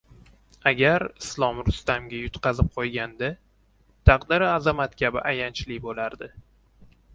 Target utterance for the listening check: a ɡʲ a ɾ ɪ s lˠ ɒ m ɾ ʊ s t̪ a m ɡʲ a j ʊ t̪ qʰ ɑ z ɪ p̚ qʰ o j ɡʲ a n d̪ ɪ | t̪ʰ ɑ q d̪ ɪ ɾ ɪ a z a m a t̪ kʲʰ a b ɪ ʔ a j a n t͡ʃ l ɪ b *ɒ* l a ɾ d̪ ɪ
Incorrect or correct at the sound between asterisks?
incorrect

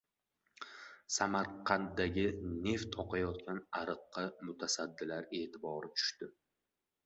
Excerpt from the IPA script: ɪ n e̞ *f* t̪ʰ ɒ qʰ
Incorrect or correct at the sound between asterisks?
correct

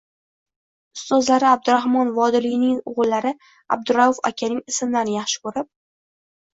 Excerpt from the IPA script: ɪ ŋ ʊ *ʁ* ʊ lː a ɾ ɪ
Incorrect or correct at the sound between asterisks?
correct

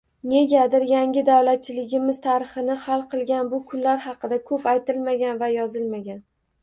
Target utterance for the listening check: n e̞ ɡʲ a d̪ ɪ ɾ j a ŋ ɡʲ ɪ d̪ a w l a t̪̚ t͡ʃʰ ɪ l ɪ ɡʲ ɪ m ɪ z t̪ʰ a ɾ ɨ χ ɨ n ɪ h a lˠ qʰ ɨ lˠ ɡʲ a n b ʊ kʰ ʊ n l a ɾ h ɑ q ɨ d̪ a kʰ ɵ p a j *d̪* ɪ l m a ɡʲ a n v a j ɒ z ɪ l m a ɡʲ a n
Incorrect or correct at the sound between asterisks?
incorrect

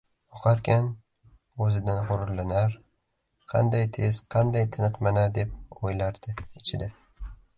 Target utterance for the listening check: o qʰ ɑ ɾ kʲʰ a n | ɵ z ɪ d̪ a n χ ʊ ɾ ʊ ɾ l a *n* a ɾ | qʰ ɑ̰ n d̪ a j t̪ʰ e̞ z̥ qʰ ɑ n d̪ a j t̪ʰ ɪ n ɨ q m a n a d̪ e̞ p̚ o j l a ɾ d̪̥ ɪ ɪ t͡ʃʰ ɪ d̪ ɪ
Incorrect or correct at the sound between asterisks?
correct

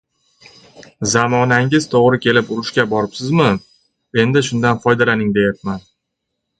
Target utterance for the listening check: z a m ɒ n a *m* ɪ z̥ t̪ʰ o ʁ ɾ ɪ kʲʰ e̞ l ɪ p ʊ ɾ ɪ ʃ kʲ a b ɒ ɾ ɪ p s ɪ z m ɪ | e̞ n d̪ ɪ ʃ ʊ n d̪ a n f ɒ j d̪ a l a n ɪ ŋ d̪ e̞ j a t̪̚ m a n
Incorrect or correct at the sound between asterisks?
incorrect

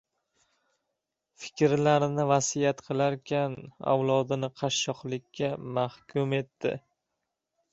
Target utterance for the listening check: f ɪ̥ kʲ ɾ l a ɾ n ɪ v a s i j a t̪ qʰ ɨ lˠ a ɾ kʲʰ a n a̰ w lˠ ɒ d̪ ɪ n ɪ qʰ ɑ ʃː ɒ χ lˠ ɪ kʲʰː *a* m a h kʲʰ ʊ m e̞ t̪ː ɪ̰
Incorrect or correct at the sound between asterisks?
correct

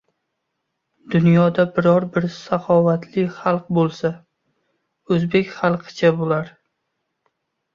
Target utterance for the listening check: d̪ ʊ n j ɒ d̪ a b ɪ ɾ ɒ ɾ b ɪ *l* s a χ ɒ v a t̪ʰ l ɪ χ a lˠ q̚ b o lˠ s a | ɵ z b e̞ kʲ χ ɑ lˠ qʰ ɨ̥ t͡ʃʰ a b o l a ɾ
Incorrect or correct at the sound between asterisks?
incorrect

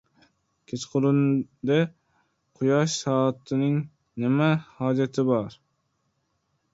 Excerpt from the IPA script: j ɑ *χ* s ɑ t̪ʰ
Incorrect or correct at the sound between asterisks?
incorrect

